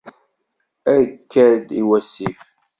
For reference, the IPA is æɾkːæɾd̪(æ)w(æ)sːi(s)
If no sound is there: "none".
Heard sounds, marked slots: i, æ, f

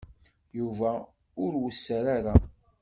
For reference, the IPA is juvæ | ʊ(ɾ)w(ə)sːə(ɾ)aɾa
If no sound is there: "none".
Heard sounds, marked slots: ɾ, ə, ɾ

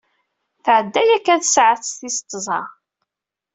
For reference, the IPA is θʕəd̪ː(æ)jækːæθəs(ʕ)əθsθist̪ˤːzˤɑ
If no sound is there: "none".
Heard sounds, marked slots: æ, ʕ

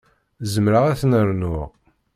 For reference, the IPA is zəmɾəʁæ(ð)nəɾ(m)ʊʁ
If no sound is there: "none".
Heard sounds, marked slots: θ, n

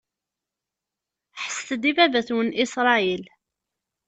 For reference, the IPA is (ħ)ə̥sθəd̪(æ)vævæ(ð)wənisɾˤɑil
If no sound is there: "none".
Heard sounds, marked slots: ħ, i, θ

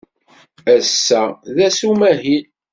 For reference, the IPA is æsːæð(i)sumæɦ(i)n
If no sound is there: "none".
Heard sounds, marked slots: æ, i

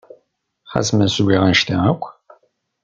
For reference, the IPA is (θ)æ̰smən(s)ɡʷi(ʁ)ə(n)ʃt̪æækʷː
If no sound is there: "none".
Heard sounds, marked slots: χ, s, ʁ, n

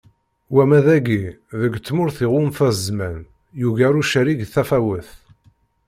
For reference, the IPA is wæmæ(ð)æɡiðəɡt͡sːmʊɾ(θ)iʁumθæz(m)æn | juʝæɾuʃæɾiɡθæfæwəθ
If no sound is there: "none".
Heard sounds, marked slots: ð, θ, m

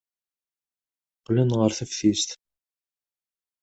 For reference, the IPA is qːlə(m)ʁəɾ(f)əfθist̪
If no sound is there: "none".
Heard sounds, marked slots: n, θ

